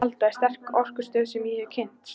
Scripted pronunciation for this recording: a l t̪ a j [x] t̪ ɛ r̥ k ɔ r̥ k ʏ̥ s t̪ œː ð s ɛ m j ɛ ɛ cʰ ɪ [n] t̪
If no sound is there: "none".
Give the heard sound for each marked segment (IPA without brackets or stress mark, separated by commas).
s, n